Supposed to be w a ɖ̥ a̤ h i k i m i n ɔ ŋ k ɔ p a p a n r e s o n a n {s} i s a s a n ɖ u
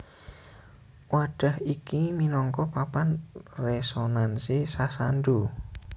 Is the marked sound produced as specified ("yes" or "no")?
yes